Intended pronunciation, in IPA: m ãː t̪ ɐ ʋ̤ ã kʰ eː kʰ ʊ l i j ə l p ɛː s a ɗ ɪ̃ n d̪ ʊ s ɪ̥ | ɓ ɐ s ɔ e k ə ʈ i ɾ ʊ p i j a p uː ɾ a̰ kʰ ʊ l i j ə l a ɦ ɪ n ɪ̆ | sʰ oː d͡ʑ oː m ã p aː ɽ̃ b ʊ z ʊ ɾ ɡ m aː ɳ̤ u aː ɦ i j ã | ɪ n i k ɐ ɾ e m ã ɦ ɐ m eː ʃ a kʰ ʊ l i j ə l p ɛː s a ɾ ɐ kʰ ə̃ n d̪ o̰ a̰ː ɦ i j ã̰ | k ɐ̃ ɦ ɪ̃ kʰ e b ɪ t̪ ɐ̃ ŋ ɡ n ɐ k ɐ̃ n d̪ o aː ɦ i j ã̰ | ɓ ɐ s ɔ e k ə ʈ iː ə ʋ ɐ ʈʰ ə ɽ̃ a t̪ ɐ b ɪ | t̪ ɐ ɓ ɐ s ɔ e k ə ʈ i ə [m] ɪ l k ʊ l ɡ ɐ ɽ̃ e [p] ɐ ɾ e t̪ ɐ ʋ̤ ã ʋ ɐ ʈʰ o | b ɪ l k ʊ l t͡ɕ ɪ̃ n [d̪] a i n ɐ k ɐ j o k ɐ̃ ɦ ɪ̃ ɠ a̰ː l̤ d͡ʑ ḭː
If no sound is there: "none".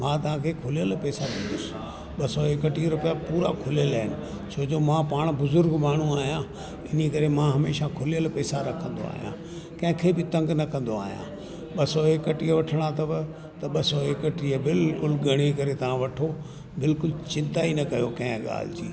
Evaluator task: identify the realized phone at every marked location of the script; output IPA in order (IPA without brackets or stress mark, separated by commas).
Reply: b, k, t̪